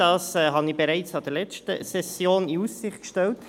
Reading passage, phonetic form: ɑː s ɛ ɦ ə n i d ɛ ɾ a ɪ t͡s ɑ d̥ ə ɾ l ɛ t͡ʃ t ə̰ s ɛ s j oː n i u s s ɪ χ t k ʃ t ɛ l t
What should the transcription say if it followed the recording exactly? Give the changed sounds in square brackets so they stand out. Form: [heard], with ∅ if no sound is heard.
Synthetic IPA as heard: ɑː s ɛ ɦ [ɑ] n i [b] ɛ ɾ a ɪ t͡s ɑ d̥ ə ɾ l ɛ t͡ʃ t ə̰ s ɛ s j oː n i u s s ɪ χ t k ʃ t ɛ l t